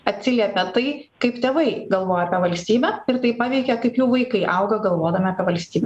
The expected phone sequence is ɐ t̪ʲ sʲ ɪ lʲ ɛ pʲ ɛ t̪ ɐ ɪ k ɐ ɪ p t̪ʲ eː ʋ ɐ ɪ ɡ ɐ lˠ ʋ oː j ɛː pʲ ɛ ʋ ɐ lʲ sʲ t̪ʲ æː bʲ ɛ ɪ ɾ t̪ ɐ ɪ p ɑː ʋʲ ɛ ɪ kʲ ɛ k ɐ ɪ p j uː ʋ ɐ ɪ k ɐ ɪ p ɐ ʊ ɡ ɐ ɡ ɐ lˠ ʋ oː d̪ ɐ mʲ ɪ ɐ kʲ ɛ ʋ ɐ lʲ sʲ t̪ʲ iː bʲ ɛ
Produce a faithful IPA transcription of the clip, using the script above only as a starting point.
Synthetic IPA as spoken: ɐ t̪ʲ sʲ ɪ lʲ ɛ pʲ ɛ t̪ ɐ ɪ k ɐ ɪ p t̪ʲ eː ʋ ɐ ɪ ɡ ɐ lˠ ʋ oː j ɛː pʲ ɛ ʋ ɐ lʲ sʲ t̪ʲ iː bʲ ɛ ɪ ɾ t̪ ɐ ɪ p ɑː ʋʲ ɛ ɪ kʲ ɛ k ɐ ɪ p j uː ʋ ɐ ɪ k ɐ ɪ ʔ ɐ ʊ ɡ ɐ ɡ ɐ lˠ ʋ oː d̪ ɐ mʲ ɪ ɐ pʲ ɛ ʋ ɐ lʲ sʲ t̪ʲ iː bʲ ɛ